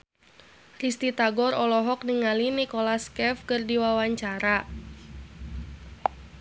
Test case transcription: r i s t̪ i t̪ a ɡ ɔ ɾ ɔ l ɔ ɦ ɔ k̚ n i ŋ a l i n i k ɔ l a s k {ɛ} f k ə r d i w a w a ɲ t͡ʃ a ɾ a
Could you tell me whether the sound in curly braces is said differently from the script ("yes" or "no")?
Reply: no